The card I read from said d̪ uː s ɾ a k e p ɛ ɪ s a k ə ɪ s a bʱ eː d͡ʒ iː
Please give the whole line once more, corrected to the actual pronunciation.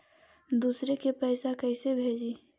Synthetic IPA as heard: d̪ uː s ɾ e k e p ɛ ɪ s a k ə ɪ s e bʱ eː d͡ʒ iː